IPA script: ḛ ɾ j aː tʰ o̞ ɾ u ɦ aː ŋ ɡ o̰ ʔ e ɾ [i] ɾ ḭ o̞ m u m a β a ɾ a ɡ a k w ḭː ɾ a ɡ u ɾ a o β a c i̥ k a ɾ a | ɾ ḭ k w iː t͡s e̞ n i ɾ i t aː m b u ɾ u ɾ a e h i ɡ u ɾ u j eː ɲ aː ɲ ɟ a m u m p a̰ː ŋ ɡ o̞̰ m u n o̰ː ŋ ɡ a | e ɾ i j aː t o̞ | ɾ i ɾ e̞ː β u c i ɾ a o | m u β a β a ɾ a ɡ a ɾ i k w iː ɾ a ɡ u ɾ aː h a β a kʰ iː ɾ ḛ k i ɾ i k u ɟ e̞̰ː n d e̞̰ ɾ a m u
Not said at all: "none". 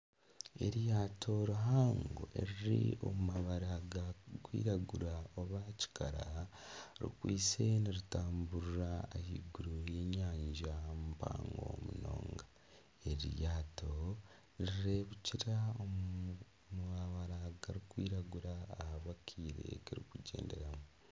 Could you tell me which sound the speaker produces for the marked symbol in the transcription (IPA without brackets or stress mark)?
i